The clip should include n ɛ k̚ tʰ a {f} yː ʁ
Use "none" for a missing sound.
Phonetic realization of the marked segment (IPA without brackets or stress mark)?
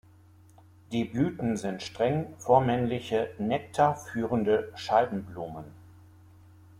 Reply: f